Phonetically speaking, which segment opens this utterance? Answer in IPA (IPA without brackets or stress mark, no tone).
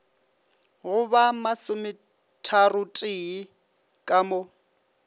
ɣ